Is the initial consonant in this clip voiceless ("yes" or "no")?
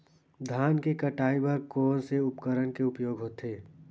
no